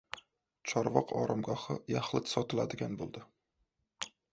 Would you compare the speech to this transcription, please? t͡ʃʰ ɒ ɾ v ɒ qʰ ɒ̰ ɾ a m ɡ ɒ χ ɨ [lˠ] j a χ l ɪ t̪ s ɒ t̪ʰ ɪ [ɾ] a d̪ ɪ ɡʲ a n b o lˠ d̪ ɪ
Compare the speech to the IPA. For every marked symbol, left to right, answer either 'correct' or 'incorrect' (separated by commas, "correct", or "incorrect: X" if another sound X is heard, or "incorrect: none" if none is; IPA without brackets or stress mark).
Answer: incorrect: none, incorrect: l